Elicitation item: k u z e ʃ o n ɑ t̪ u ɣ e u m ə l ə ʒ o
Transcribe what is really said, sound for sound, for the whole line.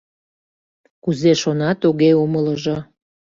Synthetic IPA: k u z e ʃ o n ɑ t̪ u ɣ e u m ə l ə ʒ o